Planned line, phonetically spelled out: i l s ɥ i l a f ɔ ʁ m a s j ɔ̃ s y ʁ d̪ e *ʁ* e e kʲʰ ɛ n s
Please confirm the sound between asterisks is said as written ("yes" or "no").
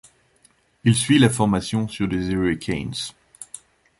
no